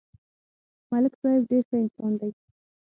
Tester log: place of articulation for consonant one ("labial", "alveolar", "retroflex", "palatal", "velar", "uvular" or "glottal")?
labial